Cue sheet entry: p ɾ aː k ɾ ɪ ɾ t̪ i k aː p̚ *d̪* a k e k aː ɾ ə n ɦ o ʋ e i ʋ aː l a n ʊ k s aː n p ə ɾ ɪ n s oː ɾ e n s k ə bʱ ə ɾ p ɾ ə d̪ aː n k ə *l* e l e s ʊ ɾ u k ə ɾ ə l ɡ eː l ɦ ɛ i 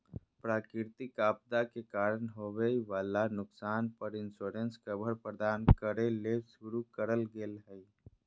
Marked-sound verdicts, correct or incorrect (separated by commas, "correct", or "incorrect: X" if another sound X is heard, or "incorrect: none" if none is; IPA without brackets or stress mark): correct, incorrect: ɾ